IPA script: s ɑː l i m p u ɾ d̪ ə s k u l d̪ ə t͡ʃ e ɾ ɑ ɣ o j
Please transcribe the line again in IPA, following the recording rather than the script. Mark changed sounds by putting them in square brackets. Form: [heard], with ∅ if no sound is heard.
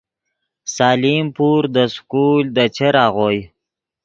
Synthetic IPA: s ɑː l i m p u ɾ d̪ ə s k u l d̪ ə t͡ʃ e ɾ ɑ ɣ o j